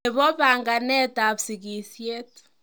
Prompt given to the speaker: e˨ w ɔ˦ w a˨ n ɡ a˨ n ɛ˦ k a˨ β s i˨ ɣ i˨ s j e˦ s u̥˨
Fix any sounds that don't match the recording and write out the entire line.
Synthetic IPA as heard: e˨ β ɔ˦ β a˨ ŋ ɡ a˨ n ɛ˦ t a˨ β s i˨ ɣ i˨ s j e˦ t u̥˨